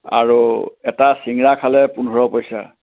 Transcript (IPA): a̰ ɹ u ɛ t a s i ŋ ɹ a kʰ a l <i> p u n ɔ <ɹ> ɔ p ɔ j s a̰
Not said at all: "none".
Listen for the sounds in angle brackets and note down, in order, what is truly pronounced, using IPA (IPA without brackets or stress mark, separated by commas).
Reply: ɛ, ɹ